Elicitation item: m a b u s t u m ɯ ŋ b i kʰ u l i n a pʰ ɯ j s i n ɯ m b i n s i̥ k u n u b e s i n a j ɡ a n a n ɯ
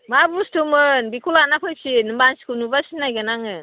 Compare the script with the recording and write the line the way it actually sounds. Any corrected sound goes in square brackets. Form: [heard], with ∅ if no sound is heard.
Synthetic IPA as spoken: m a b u s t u m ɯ [n] b i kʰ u l [a] n a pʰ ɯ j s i n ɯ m b [a] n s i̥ k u n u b [a] s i n a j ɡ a n a [ŋ] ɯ